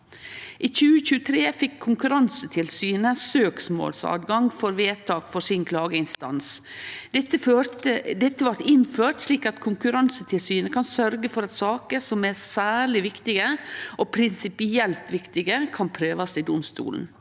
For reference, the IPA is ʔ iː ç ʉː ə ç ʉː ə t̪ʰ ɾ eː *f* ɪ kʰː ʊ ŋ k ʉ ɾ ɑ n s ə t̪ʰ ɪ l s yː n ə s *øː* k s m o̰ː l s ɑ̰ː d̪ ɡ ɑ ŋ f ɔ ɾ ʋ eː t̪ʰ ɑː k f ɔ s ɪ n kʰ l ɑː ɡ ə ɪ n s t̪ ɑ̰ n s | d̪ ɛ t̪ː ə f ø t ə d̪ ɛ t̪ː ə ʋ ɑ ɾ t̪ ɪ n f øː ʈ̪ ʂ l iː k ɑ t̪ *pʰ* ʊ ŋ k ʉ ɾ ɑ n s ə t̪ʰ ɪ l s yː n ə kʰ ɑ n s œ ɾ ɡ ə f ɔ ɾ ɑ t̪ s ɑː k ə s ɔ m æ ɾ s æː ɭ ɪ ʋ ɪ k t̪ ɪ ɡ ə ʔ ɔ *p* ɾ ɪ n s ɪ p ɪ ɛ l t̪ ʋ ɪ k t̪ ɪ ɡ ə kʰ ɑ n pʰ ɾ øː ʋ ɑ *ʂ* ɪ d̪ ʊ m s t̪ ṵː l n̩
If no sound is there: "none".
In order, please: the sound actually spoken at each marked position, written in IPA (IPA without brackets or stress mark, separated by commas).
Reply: f, øː, kʰ, pʰ, s